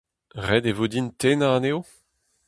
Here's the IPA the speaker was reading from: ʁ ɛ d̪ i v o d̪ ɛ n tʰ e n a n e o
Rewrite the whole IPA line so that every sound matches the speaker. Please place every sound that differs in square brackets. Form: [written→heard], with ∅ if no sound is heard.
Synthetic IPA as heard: ʁ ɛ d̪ [i→e] v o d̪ [ɛ→i] n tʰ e n a n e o

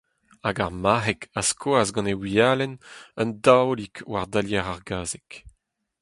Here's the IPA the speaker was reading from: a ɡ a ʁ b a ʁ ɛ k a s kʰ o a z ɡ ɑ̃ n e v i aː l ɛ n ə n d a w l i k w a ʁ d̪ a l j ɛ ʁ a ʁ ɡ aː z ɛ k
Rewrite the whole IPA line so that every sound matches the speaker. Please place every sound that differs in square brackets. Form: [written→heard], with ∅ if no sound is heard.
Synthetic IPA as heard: a ɡ a ʁ [b→m] a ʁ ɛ k a s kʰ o a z ɡ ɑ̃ n e [v→w] i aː l ɛ n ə n d a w l i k w a ʁ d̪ a l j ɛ ʁ a ʁ ɡ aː z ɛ k

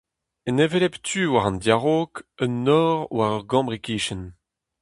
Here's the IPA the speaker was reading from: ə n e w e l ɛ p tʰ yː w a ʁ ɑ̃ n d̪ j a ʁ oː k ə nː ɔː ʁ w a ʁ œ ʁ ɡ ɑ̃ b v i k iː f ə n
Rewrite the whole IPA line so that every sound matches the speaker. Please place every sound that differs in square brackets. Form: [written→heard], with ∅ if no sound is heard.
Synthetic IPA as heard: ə n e [w→v] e l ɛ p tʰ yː w a ʁ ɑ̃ n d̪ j a ʁ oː k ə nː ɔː ʁ w a ʁ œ ʁ ɡ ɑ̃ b [v→ʁ] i k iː [f→ʃ] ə n

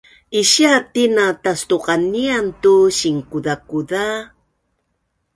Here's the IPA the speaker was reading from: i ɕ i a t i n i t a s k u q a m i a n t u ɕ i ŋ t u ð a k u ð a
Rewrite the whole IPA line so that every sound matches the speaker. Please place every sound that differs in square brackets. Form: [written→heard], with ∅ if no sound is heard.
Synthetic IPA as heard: i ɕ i a t i n [i→a] t a s [k→t] u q a [m→n] i a n t u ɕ i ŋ [t→k] u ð a k u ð a

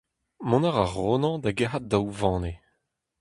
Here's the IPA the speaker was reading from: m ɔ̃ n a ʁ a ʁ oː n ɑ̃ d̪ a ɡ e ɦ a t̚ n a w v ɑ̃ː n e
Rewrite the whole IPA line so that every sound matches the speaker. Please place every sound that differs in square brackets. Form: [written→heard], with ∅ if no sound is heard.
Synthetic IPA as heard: m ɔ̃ n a ʁ a ʁ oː n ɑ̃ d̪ a ɡ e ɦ a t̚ [n→d] a w v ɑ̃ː n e

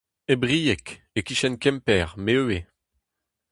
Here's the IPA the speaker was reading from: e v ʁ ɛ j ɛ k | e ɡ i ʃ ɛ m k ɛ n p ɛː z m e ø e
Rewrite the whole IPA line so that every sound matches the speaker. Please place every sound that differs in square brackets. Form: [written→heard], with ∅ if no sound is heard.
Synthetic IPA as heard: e [v→b] ʁ [ɛ→i] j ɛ k | e [ɡ→k] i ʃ ɛ [m→n] k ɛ [n→m] p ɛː [z→ʁ] m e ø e

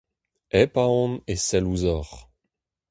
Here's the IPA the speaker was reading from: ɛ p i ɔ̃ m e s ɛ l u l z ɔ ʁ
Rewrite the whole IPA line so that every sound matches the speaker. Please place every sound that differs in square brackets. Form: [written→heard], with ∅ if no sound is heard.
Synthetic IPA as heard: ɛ p [i→a] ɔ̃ [m→n] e s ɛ l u [l→∅] z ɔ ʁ

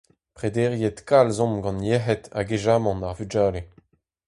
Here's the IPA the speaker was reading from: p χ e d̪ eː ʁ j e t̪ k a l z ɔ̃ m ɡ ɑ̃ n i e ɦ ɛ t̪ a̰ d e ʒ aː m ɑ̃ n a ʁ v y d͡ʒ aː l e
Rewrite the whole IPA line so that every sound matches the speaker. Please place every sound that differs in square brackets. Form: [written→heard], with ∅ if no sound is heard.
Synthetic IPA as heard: p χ e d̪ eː ʁ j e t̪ k a l z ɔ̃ m ɡ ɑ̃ n [i→j] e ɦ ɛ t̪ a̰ [d→ɡ] e ʒ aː m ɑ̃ n a ʁ v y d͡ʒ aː l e

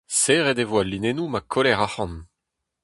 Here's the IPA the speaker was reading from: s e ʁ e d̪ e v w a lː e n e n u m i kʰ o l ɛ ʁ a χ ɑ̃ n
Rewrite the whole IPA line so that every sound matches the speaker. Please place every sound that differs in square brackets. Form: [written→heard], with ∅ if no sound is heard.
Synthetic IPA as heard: s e ʁ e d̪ e v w a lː [e→i] n e n u m [i→a] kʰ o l ɛ ʁ a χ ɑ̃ n

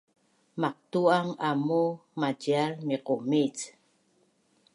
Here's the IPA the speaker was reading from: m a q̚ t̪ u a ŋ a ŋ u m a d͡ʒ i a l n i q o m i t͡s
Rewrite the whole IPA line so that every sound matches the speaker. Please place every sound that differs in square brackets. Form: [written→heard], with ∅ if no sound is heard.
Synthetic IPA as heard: m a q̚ t̪ u a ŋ a [ŋ→m] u m a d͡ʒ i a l [n→m] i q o m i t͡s

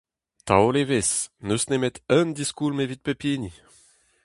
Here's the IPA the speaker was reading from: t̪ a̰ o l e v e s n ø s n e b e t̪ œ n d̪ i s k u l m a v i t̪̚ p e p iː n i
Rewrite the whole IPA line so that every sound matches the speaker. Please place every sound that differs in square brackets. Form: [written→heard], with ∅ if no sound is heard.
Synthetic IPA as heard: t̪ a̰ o l e v e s n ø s n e [b→m] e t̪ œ n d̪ i s k u l m [a→e] v i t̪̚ p e p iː n i

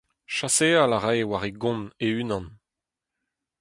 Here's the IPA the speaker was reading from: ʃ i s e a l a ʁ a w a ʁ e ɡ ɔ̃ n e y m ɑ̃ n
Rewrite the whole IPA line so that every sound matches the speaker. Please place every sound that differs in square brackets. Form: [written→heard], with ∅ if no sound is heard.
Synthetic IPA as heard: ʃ [i→a] s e a l a ʁ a w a ʁ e ɡ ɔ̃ n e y [m→n] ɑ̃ n

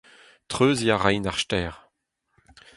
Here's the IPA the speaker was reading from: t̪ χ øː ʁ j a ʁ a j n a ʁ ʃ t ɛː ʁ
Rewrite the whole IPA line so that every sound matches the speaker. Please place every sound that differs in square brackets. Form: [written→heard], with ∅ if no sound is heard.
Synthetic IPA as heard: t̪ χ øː [ʁ→z] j a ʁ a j n a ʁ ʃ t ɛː ʁ

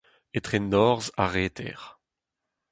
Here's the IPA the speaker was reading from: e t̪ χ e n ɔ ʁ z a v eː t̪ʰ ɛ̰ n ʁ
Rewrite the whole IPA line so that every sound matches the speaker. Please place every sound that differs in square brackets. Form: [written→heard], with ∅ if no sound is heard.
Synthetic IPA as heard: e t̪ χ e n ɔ ʁ z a [v→ʁ] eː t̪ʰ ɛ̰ [n→∅] ʁ

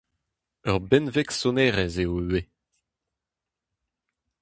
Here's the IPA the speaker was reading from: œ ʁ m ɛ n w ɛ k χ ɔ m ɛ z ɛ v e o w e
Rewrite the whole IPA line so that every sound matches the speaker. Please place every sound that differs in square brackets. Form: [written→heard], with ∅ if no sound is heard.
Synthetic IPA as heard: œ ʁ [m→b] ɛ n [w→v] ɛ k [χ→s] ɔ [m→n] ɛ [z→ʁ] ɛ [v→z] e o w e

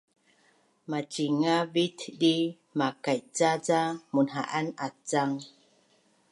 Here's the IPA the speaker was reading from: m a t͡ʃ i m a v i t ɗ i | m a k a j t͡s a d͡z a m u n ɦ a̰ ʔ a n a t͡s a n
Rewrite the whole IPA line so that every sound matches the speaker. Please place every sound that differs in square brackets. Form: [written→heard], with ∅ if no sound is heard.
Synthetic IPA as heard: m a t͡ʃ i [m→ŋ] a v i t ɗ i | m a k a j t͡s a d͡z a m u n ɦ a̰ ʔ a n a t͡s a [n→ŋ]

